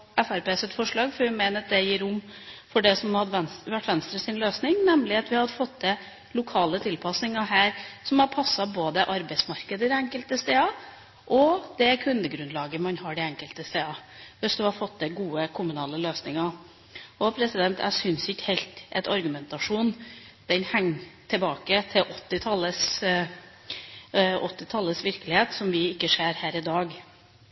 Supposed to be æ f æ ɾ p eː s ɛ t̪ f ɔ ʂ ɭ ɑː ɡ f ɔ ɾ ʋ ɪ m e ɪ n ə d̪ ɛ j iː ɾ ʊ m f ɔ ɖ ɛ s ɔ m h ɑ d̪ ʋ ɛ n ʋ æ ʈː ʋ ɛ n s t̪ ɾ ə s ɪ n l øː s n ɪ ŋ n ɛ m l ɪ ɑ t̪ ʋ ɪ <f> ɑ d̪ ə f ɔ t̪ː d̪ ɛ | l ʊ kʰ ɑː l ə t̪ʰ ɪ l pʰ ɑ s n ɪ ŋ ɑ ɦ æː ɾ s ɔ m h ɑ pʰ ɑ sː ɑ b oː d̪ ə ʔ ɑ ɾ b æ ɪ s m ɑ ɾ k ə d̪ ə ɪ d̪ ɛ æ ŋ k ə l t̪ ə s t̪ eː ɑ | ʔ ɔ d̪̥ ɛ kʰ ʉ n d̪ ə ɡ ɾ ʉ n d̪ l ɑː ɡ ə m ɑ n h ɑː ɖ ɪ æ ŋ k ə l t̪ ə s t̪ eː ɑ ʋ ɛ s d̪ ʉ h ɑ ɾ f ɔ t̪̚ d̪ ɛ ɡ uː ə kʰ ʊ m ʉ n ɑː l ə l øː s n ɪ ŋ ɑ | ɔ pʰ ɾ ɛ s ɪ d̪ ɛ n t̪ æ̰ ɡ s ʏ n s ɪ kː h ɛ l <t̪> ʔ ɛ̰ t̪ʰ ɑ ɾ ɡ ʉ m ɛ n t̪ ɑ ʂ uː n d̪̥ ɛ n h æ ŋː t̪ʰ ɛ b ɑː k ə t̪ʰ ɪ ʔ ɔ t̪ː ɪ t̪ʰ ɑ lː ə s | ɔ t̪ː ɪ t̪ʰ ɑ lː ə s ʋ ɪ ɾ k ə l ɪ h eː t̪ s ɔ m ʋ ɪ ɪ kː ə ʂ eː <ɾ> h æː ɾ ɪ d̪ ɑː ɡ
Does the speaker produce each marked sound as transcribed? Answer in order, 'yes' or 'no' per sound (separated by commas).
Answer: no, yes, yes